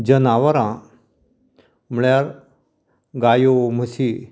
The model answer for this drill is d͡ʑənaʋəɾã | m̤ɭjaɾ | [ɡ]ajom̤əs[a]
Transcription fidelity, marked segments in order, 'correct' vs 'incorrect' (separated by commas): correct, incorrect